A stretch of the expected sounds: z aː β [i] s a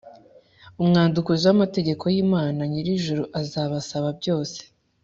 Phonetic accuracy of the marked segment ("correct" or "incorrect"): incorrect